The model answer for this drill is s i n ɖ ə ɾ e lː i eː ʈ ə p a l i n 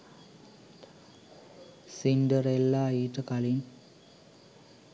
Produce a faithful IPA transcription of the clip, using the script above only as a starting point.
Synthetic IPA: s i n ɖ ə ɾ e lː a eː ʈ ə k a l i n